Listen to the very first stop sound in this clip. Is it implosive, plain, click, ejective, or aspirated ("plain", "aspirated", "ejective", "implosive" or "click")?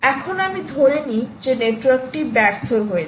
aspirated